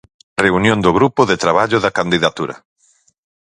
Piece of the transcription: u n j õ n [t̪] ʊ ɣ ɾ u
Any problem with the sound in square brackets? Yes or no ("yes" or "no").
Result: yes